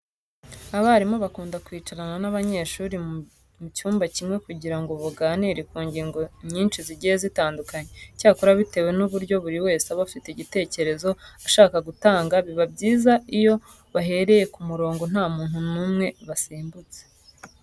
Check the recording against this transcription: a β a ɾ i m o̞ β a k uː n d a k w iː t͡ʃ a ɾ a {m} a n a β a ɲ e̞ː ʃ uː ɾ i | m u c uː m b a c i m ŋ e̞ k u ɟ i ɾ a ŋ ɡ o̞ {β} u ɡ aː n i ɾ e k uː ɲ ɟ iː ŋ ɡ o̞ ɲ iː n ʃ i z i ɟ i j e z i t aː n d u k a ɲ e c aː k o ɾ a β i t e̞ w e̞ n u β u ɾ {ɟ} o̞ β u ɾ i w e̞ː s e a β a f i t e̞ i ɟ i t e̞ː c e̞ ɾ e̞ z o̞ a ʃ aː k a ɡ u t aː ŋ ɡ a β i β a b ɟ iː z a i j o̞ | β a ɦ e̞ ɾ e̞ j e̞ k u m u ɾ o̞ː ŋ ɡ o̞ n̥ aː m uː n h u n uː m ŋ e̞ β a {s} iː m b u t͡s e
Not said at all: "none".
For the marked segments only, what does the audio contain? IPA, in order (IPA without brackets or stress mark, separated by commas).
n, β, ɟ, s